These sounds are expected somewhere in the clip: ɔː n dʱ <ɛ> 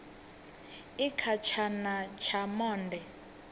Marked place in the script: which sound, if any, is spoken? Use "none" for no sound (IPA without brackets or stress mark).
ɛ